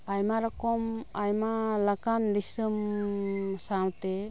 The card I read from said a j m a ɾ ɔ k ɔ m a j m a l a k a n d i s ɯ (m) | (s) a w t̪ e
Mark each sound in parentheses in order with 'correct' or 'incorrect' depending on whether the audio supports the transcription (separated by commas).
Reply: correct, correct